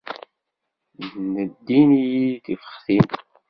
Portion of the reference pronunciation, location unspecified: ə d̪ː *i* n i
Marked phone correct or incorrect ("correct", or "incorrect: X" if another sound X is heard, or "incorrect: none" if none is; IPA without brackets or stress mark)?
correct